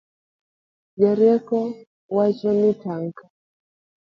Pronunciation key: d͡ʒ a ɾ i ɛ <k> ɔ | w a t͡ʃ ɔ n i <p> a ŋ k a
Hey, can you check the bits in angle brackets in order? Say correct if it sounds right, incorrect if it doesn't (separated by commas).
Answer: correct, incorrect